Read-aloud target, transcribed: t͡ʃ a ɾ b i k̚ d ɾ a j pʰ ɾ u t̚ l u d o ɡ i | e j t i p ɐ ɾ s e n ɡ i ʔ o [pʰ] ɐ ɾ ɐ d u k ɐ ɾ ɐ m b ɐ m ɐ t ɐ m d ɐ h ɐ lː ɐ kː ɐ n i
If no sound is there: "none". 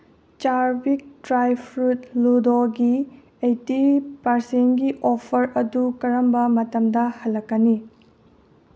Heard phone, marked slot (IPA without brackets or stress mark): pʰ